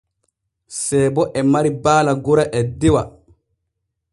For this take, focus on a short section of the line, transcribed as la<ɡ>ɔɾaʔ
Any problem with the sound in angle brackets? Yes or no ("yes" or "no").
no